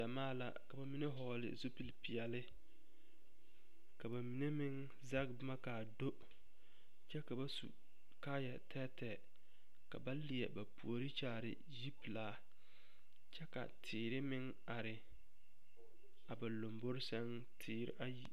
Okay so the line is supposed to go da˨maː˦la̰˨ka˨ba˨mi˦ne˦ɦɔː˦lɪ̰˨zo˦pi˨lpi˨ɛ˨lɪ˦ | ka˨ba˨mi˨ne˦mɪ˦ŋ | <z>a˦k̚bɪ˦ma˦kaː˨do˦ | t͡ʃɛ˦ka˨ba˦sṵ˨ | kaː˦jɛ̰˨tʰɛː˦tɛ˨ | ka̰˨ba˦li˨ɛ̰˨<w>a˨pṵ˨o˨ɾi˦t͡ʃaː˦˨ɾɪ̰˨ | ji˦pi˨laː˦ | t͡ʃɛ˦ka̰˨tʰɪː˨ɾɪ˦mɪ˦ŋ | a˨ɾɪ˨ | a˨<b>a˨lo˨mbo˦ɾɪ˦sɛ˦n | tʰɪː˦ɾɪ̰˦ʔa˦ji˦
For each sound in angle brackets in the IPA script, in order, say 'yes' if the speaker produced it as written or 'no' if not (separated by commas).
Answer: yes, no, yes